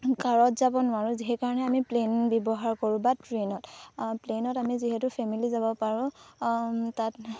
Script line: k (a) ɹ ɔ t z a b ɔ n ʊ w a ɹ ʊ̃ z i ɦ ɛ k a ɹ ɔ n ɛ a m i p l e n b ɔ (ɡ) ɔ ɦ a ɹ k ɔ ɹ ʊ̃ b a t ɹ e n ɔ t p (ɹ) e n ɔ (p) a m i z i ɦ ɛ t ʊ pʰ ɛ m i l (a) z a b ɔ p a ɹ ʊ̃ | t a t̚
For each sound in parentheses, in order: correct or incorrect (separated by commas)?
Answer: correct, incorrect, incorrect, incorrect, incorrect